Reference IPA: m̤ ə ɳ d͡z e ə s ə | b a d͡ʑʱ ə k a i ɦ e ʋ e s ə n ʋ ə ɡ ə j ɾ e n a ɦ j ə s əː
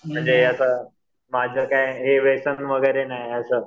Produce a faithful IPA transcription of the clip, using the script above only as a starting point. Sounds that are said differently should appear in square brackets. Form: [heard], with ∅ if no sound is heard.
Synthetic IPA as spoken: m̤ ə ɳ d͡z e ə s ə | [m] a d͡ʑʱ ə k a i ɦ e ʋ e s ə n ʋ ə ɡ ə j ɾ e n a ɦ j ə s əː

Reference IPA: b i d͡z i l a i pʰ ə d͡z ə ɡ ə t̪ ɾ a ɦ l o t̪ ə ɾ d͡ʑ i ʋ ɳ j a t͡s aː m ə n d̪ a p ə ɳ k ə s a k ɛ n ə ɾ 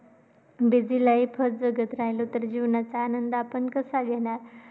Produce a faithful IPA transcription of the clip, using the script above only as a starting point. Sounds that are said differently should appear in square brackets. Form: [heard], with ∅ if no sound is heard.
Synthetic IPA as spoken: b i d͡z i l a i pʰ ə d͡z ə ɡ ə t̪ ɾ a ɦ l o t̪ ə ɾ d͡ʑ i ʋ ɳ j a t͡s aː [n] ə n d̪ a p ə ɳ k ə s a [ɡ] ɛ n [a] ɾ

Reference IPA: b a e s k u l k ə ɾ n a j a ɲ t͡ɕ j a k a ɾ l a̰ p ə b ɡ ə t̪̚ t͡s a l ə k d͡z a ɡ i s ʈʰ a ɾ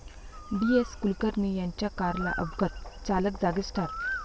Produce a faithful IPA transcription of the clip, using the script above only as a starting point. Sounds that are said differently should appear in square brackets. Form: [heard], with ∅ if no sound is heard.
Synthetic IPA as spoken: b [i] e s k u l k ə ɾ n [i] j a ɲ t͡ɕ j a k a ɾ l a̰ [ʔ] ə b ɡ ə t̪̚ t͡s a l ə k d͡z a ɡ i s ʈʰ a ɾ

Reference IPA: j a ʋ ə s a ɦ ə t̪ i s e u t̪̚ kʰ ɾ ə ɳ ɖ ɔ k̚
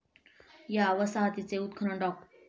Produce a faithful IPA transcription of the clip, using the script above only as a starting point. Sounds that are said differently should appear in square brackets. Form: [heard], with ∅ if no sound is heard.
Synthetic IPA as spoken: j a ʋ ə s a ɦ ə t̪ i [t͡s] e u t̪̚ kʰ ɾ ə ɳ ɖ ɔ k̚

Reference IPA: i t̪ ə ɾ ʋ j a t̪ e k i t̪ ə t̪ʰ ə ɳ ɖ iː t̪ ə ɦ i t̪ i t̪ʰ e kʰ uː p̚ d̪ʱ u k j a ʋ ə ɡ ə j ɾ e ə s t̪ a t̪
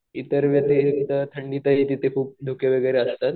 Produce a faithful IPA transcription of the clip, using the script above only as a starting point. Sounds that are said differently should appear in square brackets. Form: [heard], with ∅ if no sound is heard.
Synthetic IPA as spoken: i t̪ ə ɾ ʋ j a t̪ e k i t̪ ə t̪ʰ ə ɳ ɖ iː t̪ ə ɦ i t̪ i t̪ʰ e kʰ uː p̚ d̪ʱ u k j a ʋ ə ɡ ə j ɾ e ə s t̪ a t̪

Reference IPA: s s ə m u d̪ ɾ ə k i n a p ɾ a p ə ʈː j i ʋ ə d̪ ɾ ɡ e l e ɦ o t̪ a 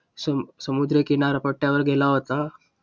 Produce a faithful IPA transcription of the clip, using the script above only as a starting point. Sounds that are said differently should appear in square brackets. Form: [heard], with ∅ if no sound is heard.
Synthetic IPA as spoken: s s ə m u d̪ ɾ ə k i n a [∅] ɾ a p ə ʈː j [a] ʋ ə [∅] ɾ ɡ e l [a] ɦ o t̪ a

